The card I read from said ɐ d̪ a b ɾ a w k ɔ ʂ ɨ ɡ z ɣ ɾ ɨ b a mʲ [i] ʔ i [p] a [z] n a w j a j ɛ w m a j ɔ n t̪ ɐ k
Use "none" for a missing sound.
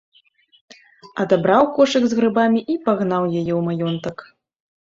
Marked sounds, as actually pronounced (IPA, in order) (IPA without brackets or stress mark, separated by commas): i, p, ɣ